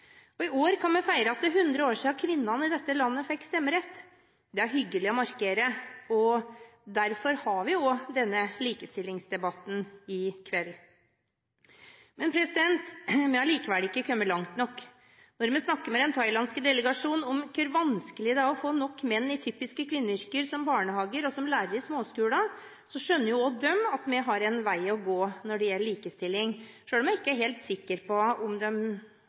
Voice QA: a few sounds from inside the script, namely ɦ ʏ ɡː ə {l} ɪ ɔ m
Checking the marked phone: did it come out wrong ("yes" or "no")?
no